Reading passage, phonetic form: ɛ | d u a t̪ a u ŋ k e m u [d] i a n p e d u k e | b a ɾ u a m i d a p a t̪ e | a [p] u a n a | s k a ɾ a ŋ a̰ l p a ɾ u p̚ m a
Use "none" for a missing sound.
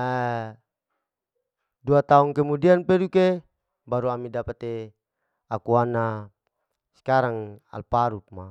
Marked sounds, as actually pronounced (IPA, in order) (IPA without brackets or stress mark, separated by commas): d, k